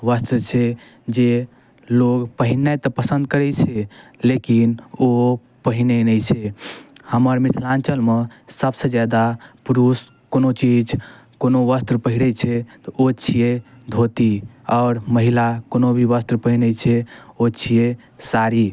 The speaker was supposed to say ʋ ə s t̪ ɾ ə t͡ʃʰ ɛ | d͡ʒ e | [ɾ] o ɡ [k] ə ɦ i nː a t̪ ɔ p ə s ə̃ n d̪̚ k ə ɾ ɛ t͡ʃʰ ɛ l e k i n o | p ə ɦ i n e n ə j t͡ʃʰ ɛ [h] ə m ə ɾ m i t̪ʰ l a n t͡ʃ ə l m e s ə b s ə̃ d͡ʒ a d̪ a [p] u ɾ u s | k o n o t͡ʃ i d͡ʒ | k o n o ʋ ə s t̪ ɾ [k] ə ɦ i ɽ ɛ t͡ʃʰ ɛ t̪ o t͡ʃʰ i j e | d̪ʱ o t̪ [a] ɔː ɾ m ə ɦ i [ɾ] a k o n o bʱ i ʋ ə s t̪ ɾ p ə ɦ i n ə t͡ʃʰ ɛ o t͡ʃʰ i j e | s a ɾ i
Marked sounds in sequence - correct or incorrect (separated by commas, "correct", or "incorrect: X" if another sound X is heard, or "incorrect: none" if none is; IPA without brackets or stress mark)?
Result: incorrect: l, incorrect: p, correct, correct, incorrect: p, incorrect: i, incorrect: l